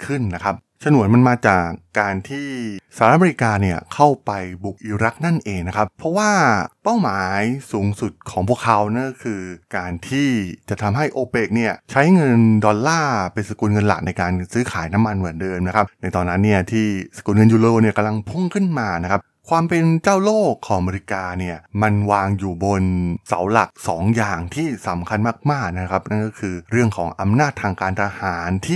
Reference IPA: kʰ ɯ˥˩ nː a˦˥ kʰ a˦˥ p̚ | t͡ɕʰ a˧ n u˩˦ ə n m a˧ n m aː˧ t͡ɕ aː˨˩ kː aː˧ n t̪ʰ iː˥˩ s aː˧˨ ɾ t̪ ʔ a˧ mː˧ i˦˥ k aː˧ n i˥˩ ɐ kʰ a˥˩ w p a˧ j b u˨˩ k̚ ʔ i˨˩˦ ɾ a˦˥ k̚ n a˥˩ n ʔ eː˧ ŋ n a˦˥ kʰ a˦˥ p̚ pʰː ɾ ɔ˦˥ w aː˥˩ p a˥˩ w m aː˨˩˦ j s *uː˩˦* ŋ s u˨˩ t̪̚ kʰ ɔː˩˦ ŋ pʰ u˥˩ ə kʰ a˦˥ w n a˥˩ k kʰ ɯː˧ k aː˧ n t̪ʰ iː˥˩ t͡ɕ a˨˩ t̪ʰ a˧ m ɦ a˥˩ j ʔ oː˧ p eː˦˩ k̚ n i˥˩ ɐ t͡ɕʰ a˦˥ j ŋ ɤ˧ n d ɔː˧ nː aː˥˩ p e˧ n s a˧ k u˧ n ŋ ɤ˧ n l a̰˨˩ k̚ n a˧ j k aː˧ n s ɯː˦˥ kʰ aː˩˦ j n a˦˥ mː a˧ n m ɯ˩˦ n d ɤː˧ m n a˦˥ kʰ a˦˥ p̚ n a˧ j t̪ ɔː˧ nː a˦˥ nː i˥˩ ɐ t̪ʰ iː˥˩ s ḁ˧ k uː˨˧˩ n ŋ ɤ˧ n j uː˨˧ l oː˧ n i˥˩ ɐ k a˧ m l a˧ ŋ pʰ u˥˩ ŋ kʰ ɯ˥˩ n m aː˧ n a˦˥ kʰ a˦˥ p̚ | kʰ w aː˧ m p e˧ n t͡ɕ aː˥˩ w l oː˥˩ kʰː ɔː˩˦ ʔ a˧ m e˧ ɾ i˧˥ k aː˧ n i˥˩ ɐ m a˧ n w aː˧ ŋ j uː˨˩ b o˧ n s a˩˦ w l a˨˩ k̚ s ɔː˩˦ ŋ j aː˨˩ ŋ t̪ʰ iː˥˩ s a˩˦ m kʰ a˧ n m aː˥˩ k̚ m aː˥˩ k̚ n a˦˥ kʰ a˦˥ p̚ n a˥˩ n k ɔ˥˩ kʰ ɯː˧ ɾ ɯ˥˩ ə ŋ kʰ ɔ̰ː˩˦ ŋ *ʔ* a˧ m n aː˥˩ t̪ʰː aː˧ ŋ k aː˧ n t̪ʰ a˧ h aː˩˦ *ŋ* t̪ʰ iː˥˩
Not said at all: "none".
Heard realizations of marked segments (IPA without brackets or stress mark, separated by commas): uː˩˦, ʔ, n